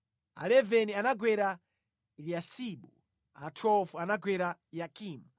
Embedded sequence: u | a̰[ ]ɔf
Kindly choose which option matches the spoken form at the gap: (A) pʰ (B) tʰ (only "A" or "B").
B